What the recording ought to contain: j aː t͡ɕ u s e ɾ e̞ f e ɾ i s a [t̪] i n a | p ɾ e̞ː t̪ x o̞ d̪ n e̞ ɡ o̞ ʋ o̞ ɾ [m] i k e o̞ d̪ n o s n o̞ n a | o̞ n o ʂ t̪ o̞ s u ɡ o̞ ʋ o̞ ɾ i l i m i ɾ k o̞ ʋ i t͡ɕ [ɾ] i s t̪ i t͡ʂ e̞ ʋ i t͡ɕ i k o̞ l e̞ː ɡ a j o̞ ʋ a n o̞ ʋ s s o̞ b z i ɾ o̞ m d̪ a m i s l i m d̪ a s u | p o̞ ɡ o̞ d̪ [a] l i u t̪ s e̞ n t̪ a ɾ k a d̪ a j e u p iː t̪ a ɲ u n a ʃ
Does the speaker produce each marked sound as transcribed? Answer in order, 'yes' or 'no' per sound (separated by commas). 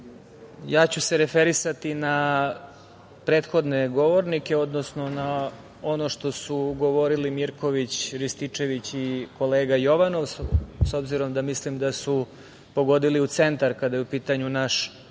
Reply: yes, no, yes, no